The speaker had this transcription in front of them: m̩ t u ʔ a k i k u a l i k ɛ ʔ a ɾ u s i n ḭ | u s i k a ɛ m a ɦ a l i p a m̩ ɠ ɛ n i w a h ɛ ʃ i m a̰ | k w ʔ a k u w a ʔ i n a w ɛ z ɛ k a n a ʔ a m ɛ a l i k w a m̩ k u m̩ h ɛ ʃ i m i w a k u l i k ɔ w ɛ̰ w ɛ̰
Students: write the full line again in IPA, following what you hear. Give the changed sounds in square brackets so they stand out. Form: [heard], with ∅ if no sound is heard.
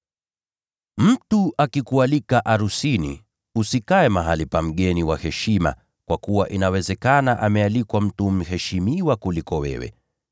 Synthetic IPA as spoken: m̩ t u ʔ a k i k u a l i k [a] ʔ a ɾ u s i n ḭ | u s i k a ɛ m a ɦ a l i p a m̩ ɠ ɛ n i w a h ɛ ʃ i m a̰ | k w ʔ a k u w a ʔ i n a w ɛ z ɛ k a n a ʔ a m ɛ a l i k w a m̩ [t] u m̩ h ɛ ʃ i m i w a k u l i k ɔ w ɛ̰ w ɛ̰